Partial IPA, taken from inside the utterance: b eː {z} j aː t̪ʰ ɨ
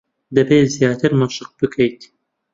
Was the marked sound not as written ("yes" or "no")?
no